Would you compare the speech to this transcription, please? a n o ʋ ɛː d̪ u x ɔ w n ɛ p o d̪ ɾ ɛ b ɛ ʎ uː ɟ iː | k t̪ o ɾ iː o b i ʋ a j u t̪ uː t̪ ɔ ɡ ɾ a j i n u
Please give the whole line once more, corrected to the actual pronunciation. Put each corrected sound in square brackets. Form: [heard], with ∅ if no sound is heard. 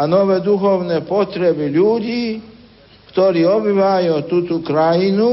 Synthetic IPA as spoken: a n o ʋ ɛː d̪ u x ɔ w n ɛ p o [t̪] ɾ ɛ b [i] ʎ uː ɟ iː | k t̪ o ɾ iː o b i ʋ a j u t̪ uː t̪ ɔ [k] ɾ a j i n u